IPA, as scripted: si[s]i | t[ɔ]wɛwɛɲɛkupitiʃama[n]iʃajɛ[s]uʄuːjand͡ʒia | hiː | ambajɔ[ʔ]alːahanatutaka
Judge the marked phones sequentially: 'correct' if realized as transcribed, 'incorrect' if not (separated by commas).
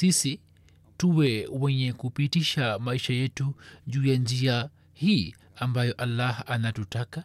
correct, incorrect, incorrect, incorrect, correct